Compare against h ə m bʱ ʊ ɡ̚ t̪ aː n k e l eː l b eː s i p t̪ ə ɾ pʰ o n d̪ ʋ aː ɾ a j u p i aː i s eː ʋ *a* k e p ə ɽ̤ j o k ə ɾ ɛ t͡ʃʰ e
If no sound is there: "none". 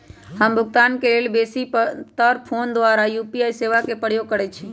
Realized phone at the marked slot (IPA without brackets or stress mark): a